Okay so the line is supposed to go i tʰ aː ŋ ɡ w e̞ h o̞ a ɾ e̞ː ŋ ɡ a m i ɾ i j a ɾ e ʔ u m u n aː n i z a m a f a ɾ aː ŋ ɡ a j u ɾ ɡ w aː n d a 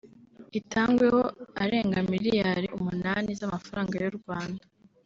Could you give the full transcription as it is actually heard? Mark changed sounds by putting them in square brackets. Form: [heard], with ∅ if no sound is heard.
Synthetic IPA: i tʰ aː ŋ ɡ w e̞ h o̞ a ɾ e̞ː ŋ ɡ a m i ɾ i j a ɾ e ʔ u m u n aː n i z a m a f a ɾ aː ŋ ɡ a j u ɾ ɡ w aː n d a

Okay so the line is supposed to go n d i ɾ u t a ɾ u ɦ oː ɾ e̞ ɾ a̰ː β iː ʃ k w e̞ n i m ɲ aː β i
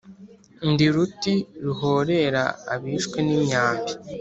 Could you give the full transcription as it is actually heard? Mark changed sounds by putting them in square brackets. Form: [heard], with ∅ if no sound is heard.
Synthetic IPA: n d i ɾ u t [i] ɾ u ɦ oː ɾ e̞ ɾ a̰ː β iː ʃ k w e̞ n i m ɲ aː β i

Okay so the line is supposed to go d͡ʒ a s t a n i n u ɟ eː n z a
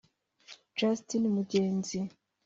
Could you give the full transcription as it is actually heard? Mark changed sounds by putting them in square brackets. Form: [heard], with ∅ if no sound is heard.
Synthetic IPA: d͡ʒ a s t [i] n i [m] u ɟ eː n z [i]

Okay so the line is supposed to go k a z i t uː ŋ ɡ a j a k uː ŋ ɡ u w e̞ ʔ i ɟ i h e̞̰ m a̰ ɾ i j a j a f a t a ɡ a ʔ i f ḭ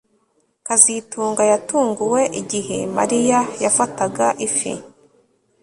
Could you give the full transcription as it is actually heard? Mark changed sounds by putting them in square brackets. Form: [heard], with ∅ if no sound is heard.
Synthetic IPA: k a z i t uː ŋ ɡ a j a [t] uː ŋ ɡ u w e̞ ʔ i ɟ i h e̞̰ m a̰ ɾ i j a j a f a t a ɡ a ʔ i f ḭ

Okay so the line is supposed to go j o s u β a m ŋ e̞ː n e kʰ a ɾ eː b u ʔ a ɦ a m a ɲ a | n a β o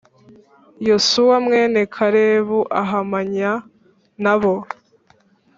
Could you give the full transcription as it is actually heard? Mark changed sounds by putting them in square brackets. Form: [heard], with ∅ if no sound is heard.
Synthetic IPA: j o s u [w] a m ŋ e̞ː n e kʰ a ɾ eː [β] u ʔ a ɦ a m a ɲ a | n a β o

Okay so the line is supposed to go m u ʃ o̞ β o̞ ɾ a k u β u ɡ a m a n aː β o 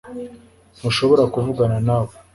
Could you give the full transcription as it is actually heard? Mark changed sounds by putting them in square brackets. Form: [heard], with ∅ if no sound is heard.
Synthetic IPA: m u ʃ o̞ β o̞ ɾ a k u [v] u ɡ a [n] a n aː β o

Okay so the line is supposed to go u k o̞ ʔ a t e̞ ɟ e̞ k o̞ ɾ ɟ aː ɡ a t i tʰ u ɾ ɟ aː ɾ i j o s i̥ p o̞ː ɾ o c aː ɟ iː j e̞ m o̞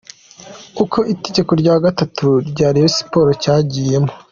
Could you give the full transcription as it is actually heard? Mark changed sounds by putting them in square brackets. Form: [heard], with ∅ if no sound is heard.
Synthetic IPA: u k o̞ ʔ [i] t e̞ ɟ e̞ k o̞ ɾ ɟ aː ɡ a t [a] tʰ u ɾ ɟ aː ɾ i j o s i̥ p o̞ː ɾ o c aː ɟ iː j e̞ m o̞

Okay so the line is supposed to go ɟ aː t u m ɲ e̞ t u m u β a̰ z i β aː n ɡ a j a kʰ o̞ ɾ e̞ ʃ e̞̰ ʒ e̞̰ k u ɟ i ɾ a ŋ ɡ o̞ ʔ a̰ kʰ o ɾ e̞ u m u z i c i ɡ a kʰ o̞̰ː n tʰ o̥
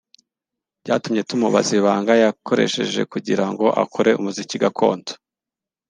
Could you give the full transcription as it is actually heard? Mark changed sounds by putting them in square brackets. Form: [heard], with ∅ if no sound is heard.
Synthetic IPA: ɟ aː t u m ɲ e̞ t u m u β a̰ z i β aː [ŋ] ɡ a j a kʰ o̞ ɾ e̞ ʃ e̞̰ ʒ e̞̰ k u ɟ i ɾ a ŋ ɡ o̞ ʔ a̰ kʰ o ɾ e̞ u m u z i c i ɡ a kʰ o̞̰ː n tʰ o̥

